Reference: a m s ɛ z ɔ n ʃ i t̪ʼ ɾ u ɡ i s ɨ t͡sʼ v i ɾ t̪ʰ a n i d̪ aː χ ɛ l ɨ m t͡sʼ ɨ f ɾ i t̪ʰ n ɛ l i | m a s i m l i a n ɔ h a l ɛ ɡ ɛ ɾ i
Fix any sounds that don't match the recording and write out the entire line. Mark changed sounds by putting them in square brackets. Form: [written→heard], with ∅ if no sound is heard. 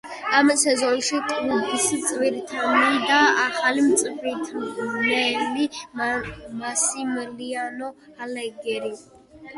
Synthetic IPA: a m s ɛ z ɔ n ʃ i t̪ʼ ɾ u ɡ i s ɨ t͡sʼ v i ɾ t̪ʰ a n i d̪ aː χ [ɛ→a] l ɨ m t͡sʼ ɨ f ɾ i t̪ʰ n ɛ l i | m a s i m l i a n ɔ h a l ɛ ɡ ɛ ɾ i